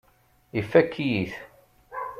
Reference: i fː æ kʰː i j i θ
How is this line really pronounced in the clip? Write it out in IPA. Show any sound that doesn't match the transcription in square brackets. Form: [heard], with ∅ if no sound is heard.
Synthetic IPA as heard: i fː æ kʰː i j i θ